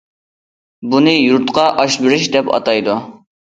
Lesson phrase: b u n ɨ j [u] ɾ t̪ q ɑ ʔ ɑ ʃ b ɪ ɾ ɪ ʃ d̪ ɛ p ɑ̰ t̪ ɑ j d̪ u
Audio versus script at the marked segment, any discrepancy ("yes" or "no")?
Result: no